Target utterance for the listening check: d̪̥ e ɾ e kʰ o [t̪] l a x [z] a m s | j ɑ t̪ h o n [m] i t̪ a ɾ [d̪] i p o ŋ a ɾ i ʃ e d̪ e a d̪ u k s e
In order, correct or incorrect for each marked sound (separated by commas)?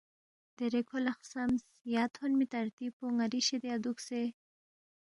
incorrect, incorrect, correct, incorrect